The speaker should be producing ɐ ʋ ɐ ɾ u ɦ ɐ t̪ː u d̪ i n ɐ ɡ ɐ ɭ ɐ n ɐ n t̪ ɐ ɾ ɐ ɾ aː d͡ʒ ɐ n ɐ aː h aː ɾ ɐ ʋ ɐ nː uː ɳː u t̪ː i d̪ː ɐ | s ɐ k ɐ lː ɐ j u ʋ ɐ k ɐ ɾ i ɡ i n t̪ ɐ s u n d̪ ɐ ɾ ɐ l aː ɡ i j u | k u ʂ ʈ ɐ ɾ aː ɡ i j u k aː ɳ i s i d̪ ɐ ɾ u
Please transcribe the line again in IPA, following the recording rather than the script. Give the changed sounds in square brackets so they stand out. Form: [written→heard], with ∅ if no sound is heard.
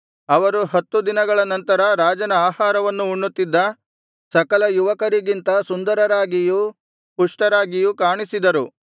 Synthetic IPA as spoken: ɐ ʋ ɐ ɾ u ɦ ɐ t̪ː u d̪ i n ɐ ɡ ɐ ɭ ɐ n ɐ n t̪ ɐ ɾ ɐ ɾ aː d͡ʒ ɐ n ɐ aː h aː ɾ ɐ ʋ ɐ nː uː ɳː u t̪ː i d̪ː ɐ | s ɐ k ɐ [lː→l] ɐ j u ʋ ɐ k ɐ ɾ i ɡ i n t̪ ɐ s u n d̪ ɐ ɾ ɐ [l→ɾ] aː ɡ i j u | [k→p] u ʂ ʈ ɐ ɾ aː ɡ i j u k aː ɳ i s i d̪ ɐ ɾ u